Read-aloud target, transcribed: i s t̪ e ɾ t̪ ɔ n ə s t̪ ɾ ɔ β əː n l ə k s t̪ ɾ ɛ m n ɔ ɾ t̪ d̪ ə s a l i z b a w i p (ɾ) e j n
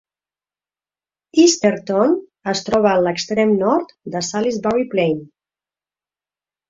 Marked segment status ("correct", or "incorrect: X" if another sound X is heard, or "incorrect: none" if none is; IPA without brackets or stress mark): incorrect: l